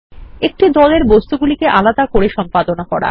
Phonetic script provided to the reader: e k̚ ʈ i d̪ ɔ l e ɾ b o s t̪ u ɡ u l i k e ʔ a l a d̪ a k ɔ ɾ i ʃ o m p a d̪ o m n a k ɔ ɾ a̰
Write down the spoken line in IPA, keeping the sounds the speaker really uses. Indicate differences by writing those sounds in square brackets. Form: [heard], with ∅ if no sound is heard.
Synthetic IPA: e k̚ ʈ i d̪ ɔ l e ɾ b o s t̪ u ɡ u l i k e ʔ a l a d̪ a k [o] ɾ [e] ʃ [ɔ] m p a d̪ o [∅] n a k ɔ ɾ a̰

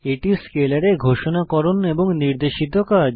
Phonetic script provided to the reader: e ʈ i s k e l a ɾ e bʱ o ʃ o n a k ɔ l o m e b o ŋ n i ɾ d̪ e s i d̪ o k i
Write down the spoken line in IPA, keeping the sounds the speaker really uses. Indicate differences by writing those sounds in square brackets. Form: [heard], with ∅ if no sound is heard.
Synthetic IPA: e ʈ i s k e l a ɾ e [ɡʱ] o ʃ o n a k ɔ [ɾ] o [n] e b o ŋ n i ɾ d̪ e [ʃ] i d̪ o k [a]

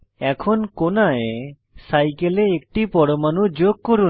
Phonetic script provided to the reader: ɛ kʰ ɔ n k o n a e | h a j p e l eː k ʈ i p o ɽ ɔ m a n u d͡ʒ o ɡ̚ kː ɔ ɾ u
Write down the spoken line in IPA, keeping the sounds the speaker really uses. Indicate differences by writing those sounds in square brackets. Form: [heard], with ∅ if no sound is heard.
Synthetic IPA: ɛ kʰ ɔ n k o n a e | [s] a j [k] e l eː k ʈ i p [ɔ] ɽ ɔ m a n u d͡ʒ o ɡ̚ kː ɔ ɾ u

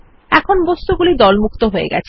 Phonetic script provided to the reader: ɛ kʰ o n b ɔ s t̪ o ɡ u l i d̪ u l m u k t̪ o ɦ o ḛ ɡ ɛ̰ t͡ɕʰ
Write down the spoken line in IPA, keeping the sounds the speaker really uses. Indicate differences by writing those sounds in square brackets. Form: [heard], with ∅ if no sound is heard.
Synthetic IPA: ɛ kʰ o n b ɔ s t̪ [u] ɡ u l i d̪ [ɔ] l m u k t̪ o ɦ o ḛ ɡ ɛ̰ t͡ɕʰ

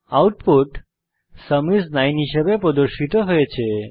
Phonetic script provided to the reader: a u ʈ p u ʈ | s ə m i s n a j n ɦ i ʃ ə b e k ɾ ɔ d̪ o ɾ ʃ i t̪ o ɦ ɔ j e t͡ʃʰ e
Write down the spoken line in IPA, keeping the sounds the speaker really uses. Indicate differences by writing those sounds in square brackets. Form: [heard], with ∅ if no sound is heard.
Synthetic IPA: a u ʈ p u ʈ | s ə m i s n a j n ɦ i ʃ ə b e [p] ɾ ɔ d̪ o ɾ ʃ i t̪ o ɦ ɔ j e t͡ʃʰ e

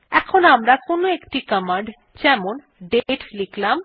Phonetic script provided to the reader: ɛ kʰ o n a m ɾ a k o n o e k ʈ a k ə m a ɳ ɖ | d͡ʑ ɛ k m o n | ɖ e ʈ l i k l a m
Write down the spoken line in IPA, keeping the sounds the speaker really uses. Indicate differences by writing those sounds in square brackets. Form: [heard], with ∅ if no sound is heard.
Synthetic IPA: ɛ kʰ o n a m ɾ a k o n o e k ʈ [i] k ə m a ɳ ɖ | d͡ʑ ɛ [∅] m o n | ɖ e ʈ l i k l a m

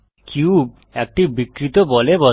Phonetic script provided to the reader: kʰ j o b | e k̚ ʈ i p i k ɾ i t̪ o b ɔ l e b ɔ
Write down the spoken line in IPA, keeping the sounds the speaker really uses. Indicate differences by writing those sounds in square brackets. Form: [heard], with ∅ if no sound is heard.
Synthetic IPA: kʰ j [u] b | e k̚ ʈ i [b] i k ɾ i t̪ o b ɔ l e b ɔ

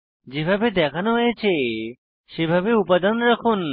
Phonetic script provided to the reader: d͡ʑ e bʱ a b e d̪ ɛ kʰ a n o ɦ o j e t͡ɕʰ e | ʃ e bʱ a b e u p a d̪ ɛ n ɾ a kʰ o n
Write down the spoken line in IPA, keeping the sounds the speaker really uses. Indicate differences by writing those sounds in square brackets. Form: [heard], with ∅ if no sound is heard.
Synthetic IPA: d͡ʑ e bʱ a b e d̪ ɛ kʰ a n o ɦ o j e t͡ɕʰ e | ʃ e bʱ a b e u p a d̪ [a] n ɾ a kʰ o n

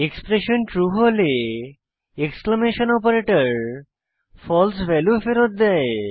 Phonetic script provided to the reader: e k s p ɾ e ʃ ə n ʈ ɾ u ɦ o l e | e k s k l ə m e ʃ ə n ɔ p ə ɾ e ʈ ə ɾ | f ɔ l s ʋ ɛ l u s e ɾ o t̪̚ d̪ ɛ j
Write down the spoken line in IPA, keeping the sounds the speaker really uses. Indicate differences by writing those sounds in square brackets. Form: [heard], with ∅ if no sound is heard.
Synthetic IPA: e k s p ɾ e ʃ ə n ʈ ɾ u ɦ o l e | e k s k l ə m e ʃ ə n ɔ p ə ɾ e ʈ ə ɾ | f ɔ l s ʋ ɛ l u [f] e ɾ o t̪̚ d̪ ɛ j

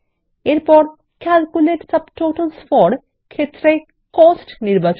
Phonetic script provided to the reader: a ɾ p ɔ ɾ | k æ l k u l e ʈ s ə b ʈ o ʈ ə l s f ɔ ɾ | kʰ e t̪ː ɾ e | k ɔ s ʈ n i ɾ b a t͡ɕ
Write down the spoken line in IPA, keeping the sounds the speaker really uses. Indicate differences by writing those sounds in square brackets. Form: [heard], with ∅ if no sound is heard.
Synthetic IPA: [e] ɾ p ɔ ɾ | k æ l k u l e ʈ s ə b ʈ o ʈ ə l s f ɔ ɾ | kʰ e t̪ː ɾ e | k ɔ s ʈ n i ɾ b a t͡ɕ

